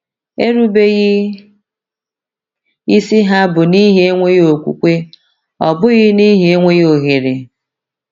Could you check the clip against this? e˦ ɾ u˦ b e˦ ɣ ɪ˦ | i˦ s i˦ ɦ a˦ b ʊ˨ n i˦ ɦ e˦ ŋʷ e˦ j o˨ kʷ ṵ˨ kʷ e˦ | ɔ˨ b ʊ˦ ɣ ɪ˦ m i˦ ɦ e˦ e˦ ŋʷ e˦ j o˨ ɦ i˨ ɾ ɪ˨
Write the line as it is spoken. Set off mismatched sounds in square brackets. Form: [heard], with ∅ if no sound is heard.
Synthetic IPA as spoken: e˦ ɾ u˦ b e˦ ɣ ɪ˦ | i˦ s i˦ ɦ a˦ b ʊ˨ n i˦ ɦ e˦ ŋʷ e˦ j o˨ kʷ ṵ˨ kʷ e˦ | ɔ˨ b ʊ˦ ɣ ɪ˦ [n] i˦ ɦ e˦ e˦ ŋʷ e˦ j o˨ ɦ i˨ ɾ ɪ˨